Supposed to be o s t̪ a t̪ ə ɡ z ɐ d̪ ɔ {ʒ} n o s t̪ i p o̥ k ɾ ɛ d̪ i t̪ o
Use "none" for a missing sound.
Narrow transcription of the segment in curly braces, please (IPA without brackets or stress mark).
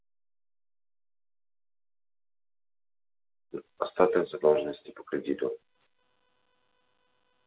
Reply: ʒ